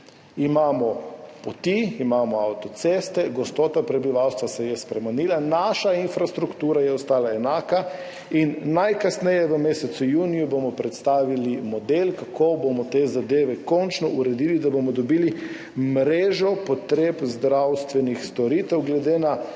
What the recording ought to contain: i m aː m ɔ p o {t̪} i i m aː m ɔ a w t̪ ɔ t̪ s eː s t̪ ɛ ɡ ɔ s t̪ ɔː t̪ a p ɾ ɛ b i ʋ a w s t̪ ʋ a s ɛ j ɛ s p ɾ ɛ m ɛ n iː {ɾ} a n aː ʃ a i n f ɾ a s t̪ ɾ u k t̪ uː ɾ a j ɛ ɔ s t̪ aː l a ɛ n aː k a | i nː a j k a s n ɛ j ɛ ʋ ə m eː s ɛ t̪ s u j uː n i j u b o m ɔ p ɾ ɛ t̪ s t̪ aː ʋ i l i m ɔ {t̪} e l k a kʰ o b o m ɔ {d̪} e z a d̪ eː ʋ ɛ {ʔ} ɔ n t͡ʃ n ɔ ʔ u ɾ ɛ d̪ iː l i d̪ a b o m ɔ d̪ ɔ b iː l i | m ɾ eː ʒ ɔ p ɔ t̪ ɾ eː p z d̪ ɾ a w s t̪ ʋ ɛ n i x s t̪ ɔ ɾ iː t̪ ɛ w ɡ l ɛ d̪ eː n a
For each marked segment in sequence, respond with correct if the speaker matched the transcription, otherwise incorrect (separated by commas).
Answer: correct, incorrect, incorrect, incorrect, incorrect